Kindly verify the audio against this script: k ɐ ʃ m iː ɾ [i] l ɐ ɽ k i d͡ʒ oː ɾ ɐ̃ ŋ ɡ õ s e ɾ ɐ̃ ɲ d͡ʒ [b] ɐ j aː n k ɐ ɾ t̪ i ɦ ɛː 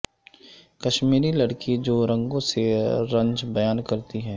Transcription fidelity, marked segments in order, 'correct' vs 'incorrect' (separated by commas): correct, correct